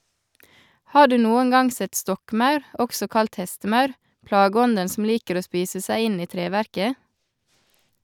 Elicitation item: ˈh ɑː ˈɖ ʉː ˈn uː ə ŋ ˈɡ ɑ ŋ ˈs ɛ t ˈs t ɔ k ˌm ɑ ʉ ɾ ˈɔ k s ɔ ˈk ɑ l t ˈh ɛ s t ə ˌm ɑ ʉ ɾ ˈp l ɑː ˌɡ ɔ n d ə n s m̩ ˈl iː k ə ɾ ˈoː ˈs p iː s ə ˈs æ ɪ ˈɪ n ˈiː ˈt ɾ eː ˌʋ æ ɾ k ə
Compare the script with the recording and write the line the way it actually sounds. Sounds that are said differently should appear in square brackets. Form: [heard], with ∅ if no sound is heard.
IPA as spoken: ˈh ɑː ˈɖ ʉː ˈn uː ə ŋ ˈɡ ɑ ŋ ˈs ɛ t ˈs t ɔ k ˌm ɑ ʉ ɾ ˈɔ k s ɔ ˈk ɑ l t ˈh ɛ s t ə ˌm ɑ ʉ ɾ ˈp l ɑː ˌɡ ɔ n d ə n s m̩ ˈl iː k ə ɾ ˈoː ˈs p iː s ə ˈs æ ɪ ˈɪ n ˈiː ˈt ɾ eː ˌʋ æ ɾ k ə